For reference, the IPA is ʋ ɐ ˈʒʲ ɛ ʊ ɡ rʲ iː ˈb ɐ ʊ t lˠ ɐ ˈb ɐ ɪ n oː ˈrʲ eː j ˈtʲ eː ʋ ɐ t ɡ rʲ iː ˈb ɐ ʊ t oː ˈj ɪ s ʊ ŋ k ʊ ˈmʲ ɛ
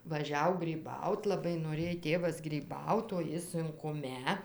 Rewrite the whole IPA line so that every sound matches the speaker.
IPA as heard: ʋ ɐ ˈʒʲ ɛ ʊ ɡ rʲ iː ˈb ɐ ʊ t lˠ ɐ ˈb ɐ ɪ n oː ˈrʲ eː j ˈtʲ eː ʋ ɐ s ɡ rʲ iː ˈb ɐ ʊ t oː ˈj ɪ s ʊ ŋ k ʊ ˈmʲ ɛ